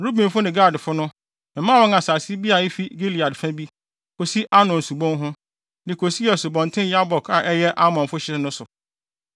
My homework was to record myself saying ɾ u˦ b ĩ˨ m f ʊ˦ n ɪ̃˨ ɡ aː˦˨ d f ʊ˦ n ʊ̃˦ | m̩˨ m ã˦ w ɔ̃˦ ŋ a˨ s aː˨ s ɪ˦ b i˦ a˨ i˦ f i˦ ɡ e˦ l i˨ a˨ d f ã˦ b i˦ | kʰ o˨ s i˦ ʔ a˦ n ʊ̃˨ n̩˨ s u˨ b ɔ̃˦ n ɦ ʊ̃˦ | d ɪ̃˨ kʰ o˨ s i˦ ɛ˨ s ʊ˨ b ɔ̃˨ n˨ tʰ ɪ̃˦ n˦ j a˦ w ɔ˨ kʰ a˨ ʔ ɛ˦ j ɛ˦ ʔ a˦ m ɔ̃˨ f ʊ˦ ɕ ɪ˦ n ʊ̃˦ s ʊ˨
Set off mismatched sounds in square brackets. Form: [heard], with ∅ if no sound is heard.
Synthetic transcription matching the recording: ɾ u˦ b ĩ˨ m f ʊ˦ n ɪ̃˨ ɡ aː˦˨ d f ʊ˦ n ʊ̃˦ | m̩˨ m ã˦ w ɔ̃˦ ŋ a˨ s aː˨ s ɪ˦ b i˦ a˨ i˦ f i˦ ɡ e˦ l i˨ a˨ d f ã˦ b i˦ | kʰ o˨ s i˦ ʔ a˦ n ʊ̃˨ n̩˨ s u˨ b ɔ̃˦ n ɦ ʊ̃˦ | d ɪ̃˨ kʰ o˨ s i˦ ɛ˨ s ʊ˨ b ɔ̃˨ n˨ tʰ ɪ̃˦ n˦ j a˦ [b] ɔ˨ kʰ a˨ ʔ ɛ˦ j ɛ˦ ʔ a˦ m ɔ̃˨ f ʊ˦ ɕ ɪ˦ n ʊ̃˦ s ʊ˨